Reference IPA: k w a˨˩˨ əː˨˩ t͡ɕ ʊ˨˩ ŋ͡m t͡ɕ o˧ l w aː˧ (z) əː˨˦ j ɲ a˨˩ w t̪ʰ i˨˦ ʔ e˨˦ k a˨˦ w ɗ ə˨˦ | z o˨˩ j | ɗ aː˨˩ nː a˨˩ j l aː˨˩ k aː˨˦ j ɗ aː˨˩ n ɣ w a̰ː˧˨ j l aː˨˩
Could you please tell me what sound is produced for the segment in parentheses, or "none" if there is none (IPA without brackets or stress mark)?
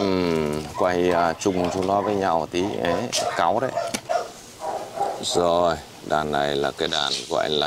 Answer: v